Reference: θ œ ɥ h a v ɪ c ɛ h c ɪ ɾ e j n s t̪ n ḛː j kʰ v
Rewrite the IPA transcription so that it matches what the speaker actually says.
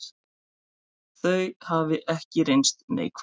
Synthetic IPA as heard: θ œ ɥ h a v ɪ ʔ ɛ h c ɪ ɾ e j n s t̪ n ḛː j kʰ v